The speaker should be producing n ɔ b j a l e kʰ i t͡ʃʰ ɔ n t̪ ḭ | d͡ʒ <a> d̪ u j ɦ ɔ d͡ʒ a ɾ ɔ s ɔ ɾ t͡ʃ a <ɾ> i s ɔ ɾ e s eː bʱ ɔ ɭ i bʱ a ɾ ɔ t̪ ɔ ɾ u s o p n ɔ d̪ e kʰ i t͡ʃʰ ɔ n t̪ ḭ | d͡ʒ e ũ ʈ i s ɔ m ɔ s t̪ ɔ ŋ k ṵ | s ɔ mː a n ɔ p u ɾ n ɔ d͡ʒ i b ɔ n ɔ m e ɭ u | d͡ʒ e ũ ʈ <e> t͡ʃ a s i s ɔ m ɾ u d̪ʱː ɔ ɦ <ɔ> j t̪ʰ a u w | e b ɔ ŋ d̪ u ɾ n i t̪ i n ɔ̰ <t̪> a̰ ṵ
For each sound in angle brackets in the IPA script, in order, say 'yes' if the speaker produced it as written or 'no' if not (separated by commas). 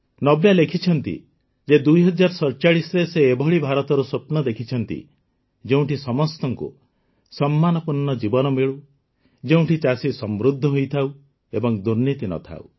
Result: no, no, no, no, no